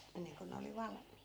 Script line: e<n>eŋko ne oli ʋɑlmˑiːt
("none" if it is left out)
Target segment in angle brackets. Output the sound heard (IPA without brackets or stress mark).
nː